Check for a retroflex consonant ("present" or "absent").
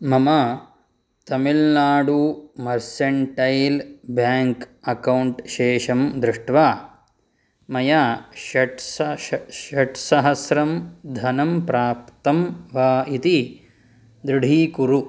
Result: present